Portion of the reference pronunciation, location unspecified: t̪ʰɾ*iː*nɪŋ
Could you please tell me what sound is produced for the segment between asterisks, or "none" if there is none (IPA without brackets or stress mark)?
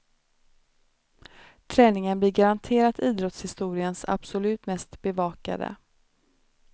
ɛː